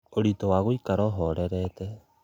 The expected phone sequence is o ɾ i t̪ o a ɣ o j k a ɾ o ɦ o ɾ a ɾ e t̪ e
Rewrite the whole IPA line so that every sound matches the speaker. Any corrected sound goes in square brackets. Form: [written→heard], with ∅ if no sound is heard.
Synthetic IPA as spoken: o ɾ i t̪ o a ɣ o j k a ɾ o ɦ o ɾ [a→e] ɾ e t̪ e

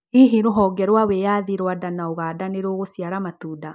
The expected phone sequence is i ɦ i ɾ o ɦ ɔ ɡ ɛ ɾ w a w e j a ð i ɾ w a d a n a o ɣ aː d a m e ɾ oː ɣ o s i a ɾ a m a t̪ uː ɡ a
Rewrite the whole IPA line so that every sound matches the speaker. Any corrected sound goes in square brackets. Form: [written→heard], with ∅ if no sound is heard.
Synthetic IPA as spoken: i ɦ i ɾ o ɦ ɔ ɡ ɛ ɾ w a w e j a ð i ɾ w a d a n a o ɣ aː d a [m→n] e ɾ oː ɣ o s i a ɾ a m a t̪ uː [ɡ→d] a

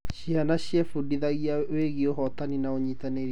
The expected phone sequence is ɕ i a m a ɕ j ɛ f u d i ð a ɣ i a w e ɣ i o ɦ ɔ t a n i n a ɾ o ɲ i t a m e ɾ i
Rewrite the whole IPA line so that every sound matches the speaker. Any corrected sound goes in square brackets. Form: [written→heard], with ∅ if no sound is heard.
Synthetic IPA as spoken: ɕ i a [m→n] a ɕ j ɛ f u d i ð a ɣ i a w e ɣ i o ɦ ɔ t a n i n a [ɾ→∅] o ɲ i t a [m→n] e ɾ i

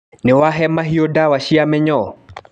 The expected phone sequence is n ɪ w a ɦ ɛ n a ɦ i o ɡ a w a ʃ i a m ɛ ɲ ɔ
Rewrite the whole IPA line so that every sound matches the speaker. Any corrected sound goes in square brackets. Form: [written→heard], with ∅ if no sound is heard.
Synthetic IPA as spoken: n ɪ w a ɦ ɛ [n→m] a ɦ i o [ɡ→d] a w a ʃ i a m ɛ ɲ ɔ

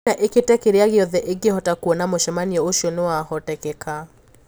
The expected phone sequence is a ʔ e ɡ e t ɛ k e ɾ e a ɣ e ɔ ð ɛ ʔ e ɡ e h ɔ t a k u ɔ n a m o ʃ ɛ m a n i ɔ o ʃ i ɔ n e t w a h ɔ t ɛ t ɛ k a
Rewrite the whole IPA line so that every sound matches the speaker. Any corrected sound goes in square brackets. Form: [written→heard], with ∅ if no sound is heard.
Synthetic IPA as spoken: a ʔ e [ɡ→k] e t ɛ k e ɾ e a ɣ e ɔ ð ɛ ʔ e ɡ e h ɔ t a k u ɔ n a m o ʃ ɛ m a n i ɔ o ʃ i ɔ n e [t→∅] w a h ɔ t ɛ [t→k] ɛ k a

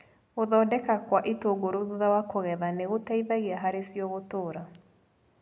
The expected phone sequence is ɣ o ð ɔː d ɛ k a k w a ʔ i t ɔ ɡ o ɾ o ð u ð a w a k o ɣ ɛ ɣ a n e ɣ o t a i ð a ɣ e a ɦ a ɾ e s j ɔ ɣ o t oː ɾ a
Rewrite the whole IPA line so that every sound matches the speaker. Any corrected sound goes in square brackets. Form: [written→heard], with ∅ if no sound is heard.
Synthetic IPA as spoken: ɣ o ð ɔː d ɛ k a k w a ʔ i t [ɔ→o] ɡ o ɾ o ð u ð a w a k o ɣ ɛ [ɣ→ð] a n e ɣ o t a i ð a ɣ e a ɦ a ɾ e s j ɔ ɣ o t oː ɾ a

